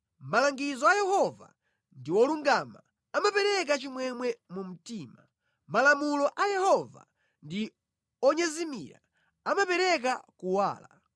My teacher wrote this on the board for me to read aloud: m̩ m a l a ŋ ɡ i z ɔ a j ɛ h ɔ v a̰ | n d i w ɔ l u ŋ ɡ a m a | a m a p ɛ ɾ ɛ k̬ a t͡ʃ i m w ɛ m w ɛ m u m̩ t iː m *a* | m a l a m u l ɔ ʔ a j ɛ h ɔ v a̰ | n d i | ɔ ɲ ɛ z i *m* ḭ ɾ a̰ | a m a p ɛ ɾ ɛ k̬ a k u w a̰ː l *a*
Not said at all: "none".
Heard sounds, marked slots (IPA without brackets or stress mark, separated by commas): a, m, a